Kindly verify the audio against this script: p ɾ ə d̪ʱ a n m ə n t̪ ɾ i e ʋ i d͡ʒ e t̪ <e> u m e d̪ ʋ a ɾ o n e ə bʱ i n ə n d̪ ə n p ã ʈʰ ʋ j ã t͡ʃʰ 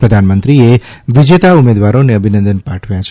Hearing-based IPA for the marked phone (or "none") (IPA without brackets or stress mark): a